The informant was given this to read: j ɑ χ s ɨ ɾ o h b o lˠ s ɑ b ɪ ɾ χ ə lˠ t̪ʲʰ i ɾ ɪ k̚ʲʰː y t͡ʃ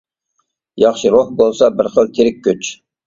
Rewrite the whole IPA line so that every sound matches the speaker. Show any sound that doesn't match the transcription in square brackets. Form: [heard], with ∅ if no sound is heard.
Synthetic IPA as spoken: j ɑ χ [ʃ] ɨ ɾ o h b o lˠ s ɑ b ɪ ɾ χ ə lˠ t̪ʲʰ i ɾ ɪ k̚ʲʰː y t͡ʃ